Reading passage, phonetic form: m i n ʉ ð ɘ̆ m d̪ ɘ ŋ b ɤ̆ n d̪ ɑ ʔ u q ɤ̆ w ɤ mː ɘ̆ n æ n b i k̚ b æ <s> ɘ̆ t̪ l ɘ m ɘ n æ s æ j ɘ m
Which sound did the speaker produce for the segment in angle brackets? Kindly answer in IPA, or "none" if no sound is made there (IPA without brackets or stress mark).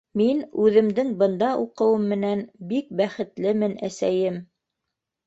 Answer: χ